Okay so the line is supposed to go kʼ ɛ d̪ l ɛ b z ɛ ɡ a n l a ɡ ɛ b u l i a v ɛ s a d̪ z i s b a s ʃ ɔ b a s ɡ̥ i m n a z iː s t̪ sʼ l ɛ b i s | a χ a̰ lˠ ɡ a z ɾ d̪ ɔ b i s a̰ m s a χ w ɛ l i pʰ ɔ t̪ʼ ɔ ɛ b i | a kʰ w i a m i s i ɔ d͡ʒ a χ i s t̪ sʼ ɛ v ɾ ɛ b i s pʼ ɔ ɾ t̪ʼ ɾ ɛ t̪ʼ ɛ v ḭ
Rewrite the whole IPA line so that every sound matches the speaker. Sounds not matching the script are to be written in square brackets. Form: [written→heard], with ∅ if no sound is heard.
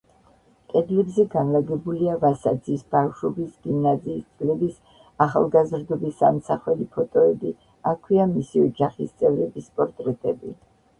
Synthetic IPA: kʼ ɛ d̪ l ɛ b z ɛ ɡ a n l a ɡ ɛ b u l i a v [ɛ→a] s a d̪ z i s b a [s→f] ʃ ɔ b [a→i] s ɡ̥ i m n a z iː s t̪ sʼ l ɛ b i s | a χ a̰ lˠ ɡ a z ɾ d̪ ɔ b i s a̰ m s a χ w ɛ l i pʰ ɔ t̪ʼ ɔ ɛ b i | a kʰ w i a m i s i ɔ d͡ʒ a χ i s t̪ sʼ ɛ v ɾ ɛ b i s pʼ ɔ ɾ t̪ʼ ɾ ɛ t̪ʼ ɛ [v→b] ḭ